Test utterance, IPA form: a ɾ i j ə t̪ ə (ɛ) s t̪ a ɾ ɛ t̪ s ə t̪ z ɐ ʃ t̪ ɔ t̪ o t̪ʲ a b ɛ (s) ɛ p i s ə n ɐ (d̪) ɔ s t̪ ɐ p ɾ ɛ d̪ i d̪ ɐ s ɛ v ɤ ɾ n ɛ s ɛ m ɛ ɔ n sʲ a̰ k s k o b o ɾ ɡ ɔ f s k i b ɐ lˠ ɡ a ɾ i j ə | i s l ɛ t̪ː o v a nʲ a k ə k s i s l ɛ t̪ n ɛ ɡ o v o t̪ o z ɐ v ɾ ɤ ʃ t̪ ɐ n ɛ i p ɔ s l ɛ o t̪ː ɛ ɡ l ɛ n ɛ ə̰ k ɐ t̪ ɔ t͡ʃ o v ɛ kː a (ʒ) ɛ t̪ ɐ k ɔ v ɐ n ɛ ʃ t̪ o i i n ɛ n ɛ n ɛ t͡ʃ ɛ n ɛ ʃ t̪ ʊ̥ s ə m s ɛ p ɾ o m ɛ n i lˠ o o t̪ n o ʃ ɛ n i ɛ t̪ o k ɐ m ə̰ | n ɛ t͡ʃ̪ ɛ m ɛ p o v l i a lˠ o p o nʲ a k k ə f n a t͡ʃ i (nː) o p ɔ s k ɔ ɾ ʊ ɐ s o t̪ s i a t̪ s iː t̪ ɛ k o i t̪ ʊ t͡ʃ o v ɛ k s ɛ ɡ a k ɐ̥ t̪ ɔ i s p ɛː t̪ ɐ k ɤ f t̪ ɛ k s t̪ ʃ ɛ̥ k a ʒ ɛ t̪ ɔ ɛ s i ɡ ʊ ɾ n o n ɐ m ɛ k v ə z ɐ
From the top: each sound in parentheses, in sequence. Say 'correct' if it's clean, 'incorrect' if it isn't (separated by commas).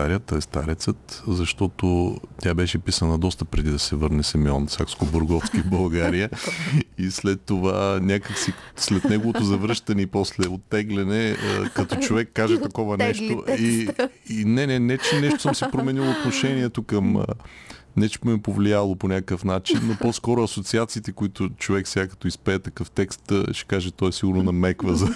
correct, incorrect, correct, correct, correct